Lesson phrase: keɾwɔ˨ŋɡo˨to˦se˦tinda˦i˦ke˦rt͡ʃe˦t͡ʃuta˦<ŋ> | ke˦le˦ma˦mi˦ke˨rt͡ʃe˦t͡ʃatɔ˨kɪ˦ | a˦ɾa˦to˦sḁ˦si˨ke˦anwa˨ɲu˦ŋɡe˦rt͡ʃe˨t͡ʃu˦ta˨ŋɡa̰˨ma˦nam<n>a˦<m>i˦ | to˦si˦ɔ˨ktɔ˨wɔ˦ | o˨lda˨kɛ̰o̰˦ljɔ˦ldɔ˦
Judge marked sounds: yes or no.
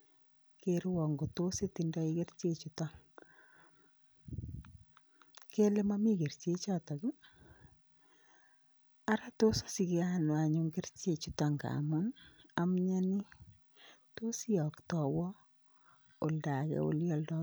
yes, no, no

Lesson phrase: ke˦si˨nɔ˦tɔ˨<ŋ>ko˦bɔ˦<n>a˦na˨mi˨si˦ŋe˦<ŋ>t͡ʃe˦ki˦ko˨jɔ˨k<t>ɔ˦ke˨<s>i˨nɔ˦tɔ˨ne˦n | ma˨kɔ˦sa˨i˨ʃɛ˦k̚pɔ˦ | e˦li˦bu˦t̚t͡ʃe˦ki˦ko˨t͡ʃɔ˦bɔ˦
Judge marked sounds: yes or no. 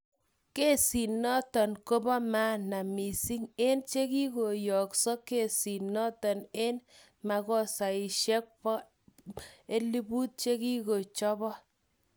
no, no, no, no, yes

